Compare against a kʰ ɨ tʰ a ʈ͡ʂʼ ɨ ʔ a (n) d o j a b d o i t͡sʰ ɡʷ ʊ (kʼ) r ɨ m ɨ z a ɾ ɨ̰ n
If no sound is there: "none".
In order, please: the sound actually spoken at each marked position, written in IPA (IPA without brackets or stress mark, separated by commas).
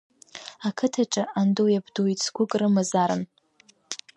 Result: n, kʼ